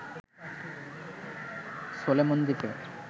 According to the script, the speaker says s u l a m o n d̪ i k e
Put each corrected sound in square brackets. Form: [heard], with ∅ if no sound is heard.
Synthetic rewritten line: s [o] l [e] m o n d̪ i [p] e

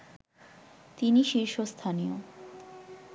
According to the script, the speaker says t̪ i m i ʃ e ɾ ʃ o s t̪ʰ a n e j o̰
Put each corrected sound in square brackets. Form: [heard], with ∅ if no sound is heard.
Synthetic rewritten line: t̪ i [n] i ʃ [i] ɾ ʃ o s t̪ʰ a n [i] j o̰

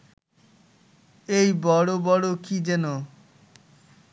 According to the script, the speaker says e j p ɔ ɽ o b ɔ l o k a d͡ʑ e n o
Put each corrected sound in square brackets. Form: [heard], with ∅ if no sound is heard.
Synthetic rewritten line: e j [b] ɔ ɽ o b ɔ [ɽ] o k [i] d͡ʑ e n o

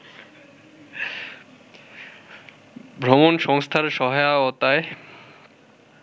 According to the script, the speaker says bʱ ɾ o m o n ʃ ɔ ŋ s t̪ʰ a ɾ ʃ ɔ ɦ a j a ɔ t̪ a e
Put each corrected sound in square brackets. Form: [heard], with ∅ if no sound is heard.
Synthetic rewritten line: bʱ ɾ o m o n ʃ ɔ ŋ s t̪ʰ a ɾ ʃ ɔ ɦ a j a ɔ t̪ a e

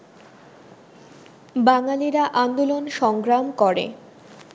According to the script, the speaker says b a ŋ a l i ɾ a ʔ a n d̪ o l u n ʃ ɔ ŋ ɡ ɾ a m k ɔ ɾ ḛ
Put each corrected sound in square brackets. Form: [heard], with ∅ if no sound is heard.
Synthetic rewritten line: b a ŋ a l i ɾ a ʔ a n d̪ o l [o] n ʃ ɔ ŋ ɡ ɾ a m k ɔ ɾ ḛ

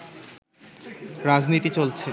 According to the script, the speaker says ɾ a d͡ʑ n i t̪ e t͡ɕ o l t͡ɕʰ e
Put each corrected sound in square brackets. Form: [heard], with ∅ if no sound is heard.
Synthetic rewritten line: ɾ a d͡ʑ n i t̪ [i] t͡ɕ o l t͡ɕʰ e

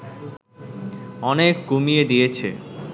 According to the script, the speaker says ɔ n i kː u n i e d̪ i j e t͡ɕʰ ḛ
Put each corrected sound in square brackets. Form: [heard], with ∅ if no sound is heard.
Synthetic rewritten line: ɔ n [e] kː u [m] i e d̪ i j e t͡ɕʰ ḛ

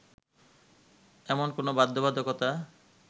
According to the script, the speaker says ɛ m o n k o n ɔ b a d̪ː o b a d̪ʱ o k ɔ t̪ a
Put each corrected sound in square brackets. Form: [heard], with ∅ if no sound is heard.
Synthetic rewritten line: ɛ m o n k o n [o] b a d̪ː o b a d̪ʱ o k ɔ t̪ a

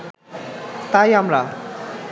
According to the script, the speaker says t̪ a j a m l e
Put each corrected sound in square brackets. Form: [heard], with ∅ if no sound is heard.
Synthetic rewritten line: t̪ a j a m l [a]

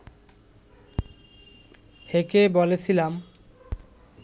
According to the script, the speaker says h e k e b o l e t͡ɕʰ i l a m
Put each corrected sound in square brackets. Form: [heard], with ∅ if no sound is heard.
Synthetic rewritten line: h e k e b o l e t͡ɕʰ i l a m

